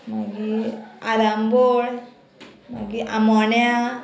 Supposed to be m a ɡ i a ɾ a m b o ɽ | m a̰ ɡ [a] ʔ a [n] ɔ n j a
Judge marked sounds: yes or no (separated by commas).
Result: no, no